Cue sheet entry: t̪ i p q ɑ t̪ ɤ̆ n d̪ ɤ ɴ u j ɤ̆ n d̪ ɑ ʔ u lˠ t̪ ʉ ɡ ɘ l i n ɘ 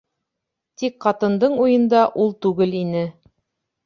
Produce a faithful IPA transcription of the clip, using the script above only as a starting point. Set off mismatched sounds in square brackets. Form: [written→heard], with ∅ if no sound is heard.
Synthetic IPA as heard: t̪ i [p→k] q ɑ t̪ ɤ̆ n d̪ ɤ ɴ u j ɤ̆ n d̪ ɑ ʔ u lˠ t̪ ʉ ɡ ɘ l i n ɘ